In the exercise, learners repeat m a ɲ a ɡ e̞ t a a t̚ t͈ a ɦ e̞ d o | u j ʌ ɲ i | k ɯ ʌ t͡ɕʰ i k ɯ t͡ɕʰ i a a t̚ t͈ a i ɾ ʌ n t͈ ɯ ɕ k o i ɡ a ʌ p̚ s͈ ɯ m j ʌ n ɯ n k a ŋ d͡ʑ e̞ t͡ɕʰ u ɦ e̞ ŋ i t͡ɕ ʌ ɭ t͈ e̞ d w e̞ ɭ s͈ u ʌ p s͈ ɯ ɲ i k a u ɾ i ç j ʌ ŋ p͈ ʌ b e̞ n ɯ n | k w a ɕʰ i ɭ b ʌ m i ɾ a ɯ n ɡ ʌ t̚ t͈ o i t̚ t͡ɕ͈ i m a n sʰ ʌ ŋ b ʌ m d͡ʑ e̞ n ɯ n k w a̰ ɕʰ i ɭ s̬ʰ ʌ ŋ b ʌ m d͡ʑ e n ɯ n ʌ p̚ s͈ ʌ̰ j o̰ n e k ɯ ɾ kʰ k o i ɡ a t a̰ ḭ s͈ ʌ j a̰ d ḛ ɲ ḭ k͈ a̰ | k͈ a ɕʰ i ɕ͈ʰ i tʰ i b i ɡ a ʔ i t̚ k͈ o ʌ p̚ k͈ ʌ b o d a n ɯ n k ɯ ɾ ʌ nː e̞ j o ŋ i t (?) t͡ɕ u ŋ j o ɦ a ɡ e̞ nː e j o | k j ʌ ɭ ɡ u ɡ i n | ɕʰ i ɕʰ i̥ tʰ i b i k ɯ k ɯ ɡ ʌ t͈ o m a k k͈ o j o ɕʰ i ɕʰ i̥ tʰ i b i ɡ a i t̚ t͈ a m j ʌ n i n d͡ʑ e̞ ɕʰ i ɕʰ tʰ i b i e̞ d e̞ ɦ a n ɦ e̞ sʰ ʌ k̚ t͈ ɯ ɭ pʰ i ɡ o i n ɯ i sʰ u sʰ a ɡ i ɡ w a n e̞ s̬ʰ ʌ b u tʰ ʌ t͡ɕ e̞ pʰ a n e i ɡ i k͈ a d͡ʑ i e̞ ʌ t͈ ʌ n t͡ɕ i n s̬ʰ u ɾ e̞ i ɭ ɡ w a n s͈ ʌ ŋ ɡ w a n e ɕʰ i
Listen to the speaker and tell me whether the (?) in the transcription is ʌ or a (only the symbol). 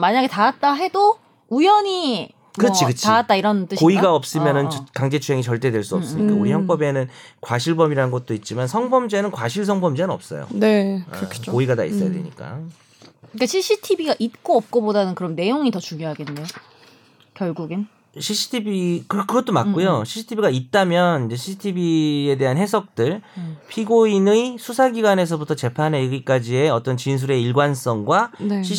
ʌ